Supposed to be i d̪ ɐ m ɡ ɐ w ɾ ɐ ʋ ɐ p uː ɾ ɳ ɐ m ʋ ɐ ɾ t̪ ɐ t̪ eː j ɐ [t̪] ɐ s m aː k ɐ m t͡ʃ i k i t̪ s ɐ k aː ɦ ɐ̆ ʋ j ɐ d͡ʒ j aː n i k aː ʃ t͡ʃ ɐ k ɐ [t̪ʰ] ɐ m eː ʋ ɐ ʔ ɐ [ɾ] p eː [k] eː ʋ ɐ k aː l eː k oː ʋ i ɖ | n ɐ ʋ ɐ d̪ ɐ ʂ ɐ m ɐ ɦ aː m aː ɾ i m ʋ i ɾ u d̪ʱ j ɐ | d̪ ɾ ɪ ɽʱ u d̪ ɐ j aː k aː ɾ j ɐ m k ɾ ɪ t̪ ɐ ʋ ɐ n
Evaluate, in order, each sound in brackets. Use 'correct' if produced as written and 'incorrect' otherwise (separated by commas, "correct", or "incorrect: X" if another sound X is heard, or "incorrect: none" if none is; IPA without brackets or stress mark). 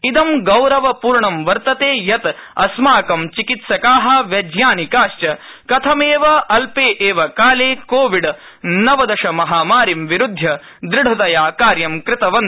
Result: correct, correct, incorrect: l, incorrect: ʔ